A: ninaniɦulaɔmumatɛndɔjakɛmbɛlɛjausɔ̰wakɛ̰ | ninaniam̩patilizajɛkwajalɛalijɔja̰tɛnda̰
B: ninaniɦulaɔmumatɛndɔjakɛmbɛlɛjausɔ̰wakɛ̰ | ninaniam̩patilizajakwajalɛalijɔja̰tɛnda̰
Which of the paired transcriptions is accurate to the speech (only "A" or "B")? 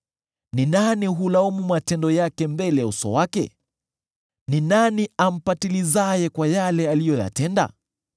A